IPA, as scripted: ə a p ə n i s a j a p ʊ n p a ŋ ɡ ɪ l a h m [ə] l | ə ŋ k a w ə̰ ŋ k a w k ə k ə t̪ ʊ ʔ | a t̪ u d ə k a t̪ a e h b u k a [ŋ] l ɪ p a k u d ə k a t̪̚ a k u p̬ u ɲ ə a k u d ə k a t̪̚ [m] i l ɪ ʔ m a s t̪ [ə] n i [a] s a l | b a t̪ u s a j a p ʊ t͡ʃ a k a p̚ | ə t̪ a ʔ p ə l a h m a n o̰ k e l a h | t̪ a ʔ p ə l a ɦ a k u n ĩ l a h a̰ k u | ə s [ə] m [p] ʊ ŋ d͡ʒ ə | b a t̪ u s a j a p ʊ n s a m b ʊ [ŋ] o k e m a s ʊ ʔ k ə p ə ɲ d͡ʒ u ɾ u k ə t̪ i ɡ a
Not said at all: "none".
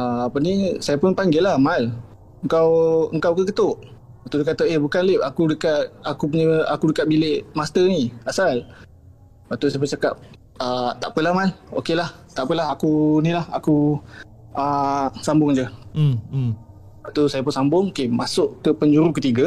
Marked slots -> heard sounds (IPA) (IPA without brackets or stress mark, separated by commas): a, n, b, ə, a, a, b, ŋ